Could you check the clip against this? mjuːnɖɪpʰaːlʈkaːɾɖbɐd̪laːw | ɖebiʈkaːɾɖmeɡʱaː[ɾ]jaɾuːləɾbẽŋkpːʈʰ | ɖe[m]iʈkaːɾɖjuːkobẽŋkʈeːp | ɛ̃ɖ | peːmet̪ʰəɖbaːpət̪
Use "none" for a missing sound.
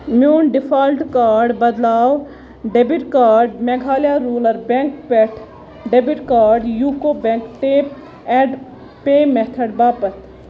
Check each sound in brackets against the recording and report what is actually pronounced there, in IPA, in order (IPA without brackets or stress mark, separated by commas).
l, b